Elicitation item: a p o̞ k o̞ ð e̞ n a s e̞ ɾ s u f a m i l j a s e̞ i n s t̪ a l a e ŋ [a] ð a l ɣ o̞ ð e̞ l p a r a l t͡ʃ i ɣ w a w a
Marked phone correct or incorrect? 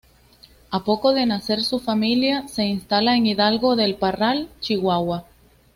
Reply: incorrect